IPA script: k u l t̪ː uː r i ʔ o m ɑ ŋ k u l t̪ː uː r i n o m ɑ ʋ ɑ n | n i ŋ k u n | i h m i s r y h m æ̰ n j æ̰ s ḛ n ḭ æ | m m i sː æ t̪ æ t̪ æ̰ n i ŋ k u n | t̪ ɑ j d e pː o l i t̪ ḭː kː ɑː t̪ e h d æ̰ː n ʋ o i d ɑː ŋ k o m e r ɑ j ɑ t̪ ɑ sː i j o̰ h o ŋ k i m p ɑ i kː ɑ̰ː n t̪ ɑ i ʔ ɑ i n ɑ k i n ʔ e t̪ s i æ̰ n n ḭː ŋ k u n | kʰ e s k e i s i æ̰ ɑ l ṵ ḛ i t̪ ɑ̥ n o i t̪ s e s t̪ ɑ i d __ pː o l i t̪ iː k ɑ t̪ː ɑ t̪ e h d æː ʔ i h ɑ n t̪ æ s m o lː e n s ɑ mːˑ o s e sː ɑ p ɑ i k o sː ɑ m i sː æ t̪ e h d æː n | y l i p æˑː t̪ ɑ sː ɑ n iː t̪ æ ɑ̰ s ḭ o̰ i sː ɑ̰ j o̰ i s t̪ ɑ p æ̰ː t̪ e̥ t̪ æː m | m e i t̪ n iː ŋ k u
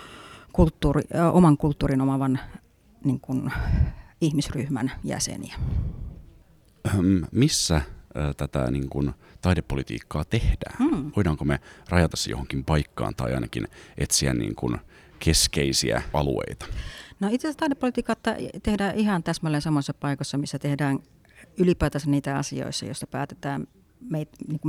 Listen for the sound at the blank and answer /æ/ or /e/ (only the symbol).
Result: e